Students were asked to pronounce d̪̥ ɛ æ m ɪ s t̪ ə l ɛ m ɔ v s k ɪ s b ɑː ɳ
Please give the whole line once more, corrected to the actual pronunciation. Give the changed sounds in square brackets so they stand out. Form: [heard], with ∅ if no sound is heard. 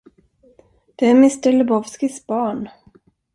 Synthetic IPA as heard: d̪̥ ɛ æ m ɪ s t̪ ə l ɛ [b] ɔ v s k ɪ s b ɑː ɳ